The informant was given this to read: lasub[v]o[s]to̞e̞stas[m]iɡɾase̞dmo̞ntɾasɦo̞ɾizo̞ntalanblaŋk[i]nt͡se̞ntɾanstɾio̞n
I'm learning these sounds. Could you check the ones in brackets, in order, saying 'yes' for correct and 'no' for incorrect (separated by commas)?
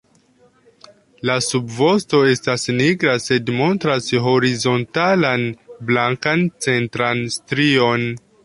yes, yes, no, no